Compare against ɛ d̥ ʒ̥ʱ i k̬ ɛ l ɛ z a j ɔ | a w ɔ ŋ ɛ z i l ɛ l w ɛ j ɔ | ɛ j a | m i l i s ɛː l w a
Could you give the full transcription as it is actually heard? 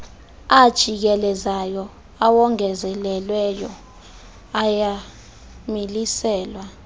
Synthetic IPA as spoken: a d̥ ʒ̥ʱ i k̬ ɛ l ɛ z a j ɔ | a w ɔ ŋ ɛ z ɛ l ɛ l w ɛ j ɔ | a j a | m i l i s ɛː l w a